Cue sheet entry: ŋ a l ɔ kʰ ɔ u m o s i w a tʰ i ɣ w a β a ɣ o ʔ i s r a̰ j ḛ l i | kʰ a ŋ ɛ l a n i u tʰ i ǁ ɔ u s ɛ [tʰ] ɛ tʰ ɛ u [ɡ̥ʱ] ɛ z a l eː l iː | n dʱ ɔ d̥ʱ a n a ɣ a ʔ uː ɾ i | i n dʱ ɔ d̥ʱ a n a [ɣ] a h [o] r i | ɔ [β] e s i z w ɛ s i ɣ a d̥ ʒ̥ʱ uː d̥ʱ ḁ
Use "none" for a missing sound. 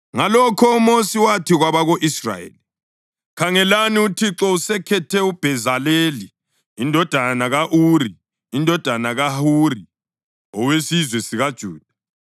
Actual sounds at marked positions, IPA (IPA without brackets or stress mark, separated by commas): kʰ, b̥ʱ, ɣ, u, w